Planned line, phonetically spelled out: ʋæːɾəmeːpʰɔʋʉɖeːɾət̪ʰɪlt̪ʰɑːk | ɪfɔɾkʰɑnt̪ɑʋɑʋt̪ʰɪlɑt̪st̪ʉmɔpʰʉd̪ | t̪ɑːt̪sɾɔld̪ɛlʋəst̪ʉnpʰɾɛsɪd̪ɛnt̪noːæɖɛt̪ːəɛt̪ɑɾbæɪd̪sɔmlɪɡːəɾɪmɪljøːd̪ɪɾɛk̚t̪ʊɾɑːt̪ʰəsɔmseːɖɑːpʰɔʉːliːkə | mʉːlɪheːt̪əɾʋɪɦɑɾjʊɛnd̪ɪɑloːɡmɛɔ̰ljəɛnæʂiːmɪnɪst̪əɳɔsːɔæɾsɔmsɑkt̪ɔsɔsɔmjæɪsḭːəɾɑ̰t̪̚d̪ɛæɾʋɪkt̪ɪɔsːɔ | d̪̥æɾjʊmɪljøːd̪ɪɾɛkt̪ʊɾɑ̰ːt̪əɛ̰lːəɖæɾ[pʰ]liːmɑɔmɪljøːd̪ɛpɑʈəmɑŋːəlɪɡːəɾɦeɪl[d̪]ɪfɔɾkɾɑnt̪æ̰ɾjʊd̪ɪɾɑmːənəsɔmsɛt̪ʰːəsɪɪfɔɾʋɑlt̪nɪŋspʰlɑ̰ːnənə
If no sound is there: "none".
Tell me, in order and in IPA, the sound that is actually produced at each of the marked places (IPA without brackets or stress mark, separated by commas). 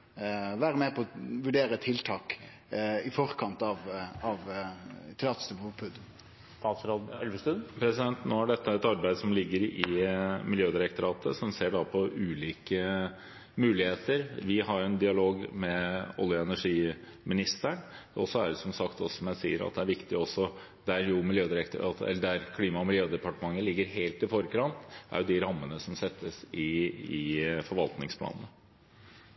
kʰ, t̪